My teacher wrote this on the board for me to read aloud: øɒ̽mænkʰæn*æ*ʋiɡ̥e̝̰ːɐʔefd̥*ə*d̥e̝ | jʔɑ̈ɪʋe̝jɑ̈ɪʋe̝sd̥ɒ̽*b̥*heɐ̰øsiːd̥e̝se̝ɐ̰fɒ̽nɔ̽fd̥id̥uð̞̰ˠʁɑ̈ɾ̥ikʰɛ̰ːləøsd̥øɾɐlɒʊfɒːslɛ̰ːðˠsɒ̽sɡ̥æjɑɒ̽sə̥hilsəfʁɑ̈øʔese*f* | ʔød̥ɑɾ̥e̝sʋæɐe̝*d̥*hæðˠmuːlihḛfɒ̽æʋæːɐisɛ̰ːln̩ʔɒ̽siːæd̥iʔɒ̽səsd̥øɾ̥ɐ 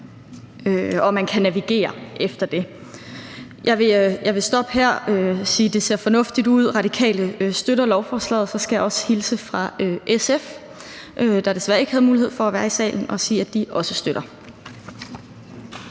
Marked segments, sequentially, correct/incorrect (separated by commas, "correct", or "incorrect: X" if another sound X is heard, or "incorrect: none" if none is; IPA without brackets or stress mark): correct, incorrect: ɐ, correct, correct, incorrect: ɡ̥